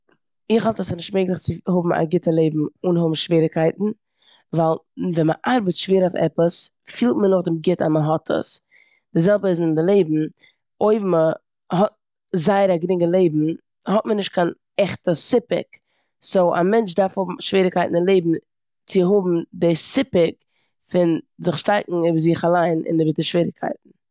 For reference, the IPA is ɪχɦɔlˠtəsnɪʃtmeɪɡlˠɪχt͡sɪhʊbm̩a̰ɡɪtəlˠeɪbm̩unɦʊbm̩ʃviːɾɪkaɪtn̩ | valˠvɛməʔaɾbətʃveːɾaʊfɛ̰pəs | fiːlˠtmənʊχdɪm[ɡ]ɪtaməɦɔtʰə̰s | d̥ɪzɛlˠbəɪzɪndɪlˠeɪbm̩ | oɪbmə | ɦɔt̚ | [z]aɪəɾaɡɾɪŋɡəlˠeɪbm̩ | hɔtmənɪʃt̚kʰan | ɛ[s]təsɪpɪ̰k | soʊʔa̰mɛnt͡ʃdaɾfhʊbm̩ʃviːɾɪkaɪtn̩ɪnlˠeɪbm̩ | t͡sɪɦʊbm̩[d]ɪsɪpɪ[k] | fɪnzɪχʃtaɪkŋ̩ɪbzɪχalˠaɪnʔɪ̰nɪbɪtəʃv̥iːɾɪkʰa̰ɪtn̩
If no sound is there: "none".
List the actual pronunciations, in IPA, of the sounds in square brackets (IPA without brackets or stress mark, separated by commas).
ɡ, z, χ, d, k